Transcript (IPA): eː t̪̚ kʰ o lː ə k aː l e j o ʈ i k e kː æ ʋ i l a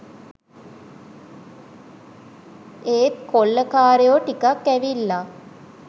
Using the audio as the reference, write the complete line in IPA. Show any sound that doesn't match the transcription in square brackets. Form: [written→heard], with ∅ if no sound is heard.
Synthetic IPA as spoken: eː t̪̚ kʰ o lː ə k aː [l→ɾ] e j o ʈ i k [e→a] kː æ ʋ i [l→lː] a